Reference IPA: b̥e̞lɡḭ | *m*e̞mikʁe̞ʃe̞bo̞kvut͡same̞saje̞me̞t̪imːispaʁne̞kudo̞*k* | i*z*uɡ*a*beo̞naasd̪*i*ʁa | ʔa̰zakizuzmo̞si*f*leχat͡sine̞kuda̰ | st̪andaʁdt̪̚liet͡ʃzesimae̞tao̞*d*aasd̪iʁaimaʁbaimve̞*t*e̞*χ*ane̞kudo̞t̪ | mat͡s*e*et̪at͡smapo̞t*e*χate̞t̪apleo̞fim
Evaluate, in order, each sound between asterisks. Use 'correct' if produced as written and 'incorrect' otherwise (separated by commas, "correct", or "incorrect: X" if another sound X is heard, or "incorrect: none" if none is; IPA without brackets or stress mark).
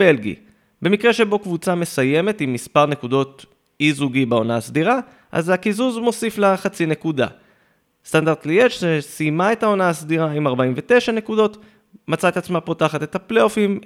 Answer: incorrect: b, incorrect: t, correct, incorrect: i, correct, correct, incorrect: n, correct, incorrect: ʃ, incorrect: a, incorrect: a